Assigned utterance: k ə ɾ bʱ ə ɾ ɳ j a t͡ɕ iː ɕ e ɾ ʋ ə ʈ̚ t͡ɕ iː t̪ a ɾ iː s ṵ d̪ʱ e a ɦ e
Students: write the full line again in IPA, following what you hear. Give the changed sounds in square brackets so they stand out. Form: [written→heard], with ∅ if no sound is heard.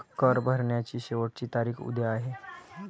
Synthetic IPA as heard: k ə ɾ bʱ ə ɾ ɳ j a t͡ɕ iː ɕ e [ɾ→∅] ʋ ə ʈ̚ t͡ɕ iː t̪ a ɾ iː [s→x] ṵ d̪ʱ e a ɦ e